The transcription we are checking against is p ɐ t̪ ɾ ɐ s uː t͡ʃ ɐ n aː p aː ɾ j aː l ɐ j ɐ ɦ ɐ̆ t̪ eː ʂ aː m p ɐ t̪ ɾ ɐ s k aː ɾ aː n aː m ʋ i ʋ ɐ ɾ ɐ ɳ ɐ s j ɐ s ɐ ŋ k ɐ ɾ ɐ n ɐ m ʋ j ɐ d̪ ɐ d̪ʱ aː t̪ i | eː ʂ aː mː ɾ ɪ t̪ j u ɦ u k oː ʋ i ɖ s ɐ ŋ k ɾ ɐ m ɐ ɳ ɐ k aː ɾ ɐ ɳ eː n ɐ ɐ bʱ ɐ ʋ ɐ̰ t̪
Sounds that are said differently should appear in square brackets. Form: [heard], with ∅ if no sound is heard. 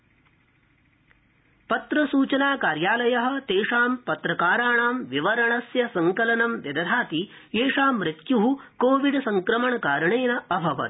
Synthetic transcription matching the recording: p ɐ t̪ ɾ ɐ s uː t͡ʃ ɐ n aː [k] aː ɾ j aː l ɐ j ɐ ɦ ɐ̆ t̪ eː ʂ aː m p ɐ t̪ ɾ ɐ [∅] k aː ɾ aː [ɳ] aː m ʋ i ʋ ɐ ɾ ɐ ɳ ɐ s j ɐ s ɐ ŋ k ɐ [l] ɐ n ɐ m ʋ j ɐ d̪ ɐ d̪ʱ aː t̪ i | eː ʂ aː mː ɾ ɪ t̪ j u ɦ u k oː ʋ i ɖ s ɐ ŋ k ɾ ɐ m ɐ ɳ ɐ k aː ɾ ɐ ɳ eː n ɐ ɐ bʱ ɐ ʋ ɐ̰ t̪

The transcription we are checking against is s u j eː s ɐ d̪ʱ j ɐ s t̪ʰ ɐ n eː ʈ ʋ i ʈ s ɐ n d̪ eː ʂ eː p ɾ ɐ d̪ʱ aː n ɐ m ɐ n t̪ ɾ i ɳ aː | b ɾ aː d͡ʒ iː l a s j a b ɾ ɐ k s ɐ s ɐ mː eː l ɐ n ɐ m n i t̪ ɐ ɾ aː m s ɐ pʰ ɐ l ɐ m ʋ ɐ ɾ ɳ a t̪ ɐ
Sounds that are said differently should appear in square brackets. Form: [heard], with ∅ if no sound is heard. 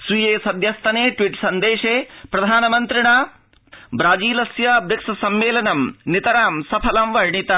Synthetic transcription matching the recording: s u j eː s ɐ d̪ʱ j ɐ s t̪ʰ ɐ n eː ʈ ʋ i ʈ s ɐ n d̪ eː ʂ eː p ɾ ɐ d̪ʱ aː n ɐ m ɐ n t̪ ɾ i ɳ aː | b ɾ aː d͡ʒ iː l [ɐ] s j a b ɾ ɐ k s ɐ s ɐ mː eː l ɐ n ɐ m n i t̪ ɐ ɾ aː m s ɐ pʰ ɐ l ɐ m ʋ ɐ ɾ ɳ [i] t̪ ɐ

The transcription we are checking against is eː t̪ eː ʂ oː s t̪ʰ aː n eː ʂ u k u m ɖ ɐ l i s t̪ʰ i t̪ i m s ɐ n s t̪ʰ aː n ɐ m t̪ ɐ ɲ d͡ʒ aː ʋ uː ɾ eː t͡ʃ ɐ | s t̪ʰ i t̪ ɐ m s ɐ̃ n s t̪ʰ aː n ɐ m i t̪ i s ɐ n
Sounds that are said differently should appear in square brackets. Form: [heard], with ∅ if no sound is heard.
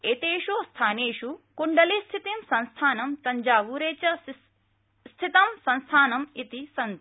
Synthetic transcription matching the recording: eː t̪ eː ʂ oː s t̪ʰ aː n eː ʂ u k u [ɳ] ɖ ɐ l i s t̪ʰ i t̪ i m s ɐ n s t̪ʰ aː n ɐ m t̪ ɐ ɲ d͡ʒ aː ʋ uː ɾ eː t͡ʃ ɐ | s t̪ʰ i t̪ ɐ m s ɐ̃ n s t̪ʰ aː n ɐ m i t̪ i s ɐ n

